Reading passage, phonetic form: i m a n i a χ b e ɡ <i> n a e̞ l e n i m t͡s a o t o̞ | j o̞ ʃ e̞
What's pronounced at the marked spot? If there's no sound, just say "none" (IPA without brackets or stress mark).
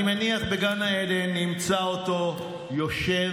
a